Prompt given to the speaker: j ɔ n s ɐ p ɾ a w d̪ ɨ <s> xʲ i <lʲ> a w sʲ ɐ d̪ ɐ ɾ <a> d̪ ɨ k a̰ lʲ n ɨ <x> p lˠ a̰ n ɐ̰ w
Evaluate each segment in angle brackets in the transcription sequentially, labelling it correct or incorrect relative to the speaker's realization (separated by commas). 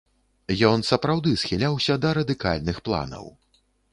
correct, correct, incorrect, correct